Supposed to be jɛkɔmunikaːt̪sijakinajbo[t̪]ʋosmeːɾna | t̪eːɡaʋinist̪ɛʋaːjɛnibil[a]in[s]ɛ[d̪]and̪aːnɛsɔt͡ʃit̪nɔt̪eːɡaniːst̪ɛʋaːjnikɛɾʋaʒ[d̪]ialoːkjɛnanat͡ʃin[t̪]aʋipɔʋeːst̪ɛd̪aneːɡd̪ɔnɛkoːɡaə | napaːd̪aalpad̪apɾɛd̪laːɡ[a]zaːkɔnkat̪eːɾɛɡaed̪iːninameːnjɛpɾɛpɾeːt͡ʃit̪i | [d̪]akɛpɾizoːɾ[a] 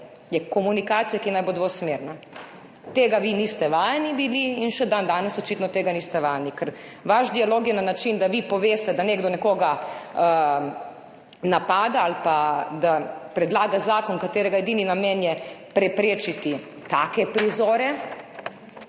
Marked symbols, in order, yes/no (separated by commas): no, no, no, yes, yes, no, yes, no, no